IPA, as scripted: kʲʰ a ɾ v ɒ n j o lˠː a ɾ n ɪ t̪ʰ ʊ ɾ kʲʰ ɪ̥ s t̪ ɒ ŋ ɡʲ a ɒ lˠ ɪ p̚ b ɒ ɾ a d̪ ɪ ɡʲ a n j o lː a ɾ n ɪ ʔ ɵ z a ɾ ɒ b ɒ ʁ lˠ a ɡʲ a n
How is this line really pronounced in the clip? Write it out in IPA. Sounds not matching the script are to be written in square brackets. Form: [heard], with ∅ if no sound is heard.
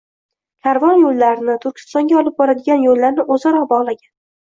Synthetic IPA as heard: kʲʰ a ɾ v ɒ n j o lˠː a ɾ n ɪ t̪ʰ ʊ ɾ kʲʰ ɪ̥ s t̪ ɒ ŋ ɡʲ a ɒ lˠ ɪ p̚ b ɒ ɾ a d̪ ɪ ɡʲ a n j o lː a ɾ n ɪ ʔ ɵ z a ɾ ɒ b ɒ ʁ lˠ a ɡʲ a n